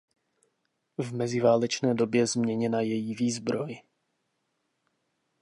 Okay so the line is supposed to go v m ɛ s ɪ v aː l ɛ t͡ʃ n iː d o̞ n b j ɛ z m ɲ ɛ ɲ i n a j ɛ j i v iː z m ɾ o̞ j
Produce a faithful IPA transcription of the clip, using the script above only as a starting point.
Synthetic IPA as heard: v m ɛ z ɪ v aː l ɛ t͡ʃ n ɛː d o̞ b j ɛ z m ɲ ɛ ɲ ɛ n a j ɛ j i v iː z b ɾ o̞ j